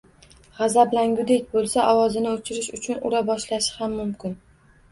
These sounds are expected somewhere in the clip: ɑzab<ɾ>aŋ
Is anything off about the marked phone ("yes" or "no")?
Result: yes